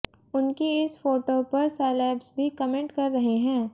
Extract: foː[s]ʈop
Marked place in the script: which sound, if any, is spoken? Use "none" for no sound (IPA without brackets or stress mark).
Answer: none